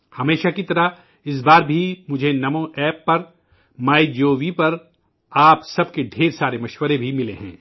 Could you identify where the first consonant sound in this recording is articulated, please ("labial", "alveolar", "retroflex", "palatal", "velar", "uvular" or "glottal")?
glottal